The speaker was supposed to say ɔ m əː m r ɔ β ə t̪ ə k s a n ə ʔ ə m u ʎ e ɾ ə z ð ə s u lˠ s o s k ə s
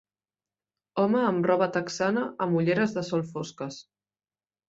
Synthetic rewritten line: ɔ m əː m r ɔ β ə t̪ ə k s a n ə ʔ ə m u ʎ e ɾ ə z ð ə s ɔ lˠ f o s k ə s